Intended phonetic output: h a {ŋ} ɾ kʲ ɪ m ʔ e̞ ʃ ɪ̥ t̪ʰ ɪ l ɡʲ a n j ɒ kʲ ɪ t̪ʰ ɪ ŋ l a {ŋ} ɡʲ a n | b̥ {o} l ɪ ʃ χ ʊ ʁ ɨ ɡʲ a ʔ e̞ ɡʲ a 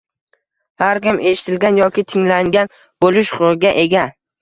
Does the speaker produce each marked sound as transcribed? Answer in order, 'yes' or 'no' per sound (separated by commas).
no, yes, yes